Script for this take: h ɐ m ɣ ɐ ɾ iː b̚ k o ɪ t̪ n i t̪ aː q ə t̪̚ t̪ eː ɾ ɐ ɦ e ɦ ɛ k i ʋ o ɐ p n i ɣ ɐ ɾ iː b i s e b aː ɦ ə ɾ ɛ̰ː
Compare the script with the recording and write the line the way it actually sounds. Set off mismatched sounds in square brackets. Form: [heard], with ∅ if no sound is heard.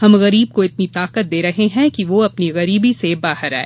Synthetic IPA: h ɐ m ɣ ɐ ɾ iː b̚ k o ɪ t̪ n i t̪ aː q ə t̪̚ [d̪] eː ɾ ɐ ɦ e ɦ [ɛ̃] k i ʋ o ɐ p n i ɣ ɐ ɾ iː b i s e b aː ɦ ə ɾ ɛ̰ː